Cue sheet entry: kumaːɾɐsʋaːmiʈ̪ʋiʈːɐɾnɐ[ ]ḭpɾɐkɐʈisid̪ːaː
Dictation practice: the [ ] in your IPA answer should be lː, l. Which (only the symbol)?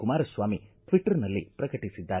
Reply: lː